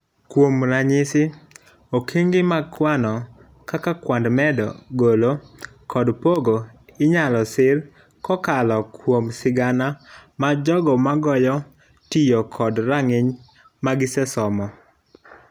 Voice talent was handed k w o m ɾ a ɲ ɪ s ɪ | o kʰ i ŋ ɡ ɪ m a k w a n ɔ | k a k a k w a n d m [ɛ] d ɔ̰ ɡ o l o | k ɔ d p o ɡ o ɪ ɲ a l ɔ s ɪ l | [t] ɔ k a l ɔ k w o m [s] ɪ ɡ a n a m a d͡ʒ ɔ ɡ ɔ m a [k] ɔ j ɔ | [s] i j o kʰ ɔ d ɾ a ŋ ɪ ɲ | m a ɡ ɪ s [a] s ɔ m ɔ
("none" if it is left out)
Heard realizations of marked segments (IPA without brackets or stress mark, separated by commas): ɛ, k, s, ɡ, t, ɛ